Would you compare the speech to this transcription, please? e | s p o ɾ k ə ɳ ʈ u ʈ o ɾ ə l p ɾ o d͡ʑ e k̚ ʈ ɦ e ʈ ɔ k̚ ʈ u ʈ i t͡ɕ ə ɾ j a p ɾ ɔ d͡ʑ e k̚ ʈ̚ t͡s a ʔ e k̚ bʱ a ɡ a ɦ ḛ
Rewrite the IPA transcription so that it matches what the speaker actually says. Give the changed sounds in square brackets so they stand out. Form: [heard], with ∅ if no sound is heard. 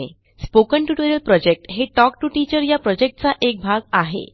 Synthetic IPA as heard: e | s p o [∅] k ə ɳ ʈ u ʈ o ɾ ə l p ɾ [ɔ] d͡ʑ e k̚ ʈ ɦ e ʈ ɔ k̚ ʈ u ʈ i t͡ɕ ə ɾ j a p ɾ ɔ d͡ʑ e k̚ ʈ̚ t͡s a ʔ e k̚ bʱ a ɡ a ɦ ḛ